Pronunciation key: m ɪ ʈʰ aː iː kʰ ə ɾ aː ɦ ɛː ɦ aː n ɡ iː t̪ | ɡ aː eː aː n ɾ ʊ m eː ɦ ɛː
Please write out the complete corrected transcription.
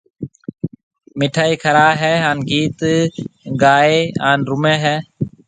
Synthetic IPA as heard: m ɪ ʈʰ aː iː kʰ ə ɾ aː ɦ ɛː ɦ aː n ɡ iː t̪ | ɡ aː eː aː n ɾ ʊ m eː ɦ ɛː